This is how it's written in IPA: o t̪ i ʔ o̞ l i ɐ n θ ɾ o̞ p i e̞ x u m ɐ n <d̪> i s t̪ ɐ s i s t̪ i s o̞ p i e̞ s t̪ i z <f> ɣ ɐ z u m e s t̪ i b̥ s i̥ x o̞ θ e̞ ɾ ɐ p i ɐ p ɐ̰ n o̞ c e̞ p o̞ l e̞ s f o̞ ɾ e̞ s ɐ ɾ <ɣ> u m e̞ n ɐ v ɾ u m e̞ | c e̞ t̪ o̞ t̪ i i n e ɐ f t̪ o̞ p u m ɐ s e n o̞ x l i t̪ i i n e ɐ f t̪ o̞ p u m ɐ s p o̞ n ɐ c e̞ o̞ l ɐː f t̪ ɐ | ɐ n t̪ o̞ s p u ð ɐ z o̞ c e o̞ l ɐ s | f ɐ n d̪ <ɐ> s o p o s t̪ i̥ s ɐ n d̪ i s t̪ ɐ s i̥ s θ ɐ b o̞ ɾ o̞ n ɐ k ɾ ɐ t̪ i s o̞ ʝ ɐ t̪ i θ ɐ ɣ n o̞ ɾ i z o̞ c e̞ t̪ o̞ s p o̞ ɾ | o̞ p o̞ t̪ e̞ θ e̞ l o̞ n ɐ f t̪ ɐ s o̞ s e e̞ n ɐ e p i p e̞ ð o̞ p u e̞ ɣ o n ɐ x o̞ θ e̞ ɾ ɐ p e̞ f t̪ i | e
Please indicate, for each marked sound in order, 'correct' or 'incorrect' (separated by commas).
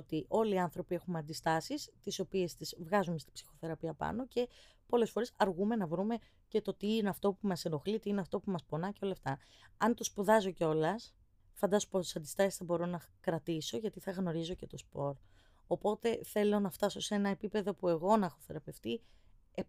correct, incorrect, correct, correct